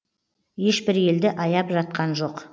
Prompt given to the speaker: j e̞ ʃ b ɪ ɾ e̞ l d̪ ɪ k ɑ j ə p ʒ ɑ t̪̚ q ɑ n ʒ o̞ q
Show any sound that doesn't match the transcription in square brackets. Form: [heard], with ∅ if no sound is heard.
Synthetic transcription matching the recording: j e̞ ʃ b ɪ ɾ e̞ l d̪ ɪ [ʔ] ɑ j [ɑ] p ʒ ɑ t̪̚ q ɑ n ʒ o̞ q